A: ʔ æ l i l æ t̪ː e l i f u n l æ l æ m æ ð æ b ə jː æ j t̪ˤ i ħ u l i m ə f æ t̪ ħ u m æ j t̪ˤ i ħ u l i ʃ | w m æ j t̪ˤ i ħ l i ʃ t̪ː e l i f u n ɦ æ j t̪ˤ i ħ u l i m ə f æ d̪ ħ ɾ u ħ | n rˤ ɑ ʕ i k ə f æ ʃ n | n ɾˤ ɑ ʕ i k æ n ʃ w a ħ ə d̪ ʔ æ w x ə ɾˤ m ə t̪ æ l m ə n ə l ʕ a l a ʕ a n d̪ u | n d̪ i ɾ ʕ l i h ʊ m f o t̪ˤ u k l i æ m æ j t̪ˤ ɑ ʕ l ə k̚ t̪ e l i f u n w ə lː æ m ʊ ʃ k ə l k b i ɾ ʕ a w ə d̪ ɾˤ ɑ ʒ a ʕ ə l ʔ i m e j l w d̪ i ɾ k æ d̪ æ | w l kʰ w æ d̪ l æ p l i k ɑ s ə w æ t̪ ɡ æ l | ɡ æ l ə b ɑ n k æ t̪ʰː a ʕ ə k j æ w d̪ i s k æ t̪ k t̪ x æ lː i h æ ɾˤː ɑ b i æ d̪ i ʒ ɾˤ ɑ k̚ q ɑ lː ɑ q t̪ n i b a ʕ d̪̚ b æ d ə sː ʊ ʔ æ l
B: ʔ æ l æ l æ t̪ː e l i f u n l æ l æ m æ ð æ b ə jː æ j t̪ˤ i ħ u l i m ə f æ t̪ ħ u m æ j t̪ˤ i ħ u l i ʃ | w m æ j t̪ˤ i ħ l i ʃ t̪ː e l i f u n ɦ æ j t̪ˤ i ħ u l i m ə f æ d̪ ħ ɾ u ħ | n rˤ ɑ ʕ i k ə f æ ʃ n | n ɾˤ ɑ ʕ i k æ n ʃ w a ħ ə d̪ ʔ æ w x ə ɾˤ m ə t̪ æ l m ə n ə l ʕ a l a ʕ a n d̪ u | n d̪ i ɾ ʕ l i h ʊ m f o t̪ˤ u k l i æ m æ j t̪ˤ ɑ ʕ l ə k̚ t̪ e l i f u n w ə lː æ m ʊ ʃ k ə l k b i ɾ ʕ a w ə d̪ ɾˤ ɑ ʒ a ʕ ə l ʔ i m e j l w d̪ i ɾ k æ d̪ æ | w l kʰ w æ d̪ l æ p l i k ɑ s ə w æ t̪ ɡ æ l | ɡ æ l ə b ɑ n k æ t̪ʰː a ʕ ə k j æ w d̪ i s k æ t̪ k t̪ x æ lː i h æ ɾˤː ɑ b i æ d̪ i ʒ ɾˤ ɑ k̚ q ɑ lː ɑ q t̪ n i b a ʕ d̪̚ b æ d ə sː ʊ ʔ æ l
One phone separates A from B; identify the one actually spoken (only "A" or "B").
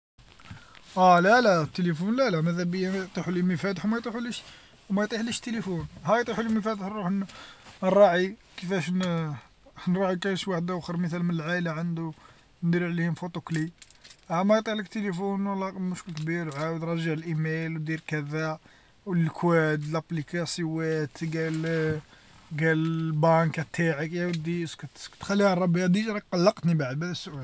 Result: B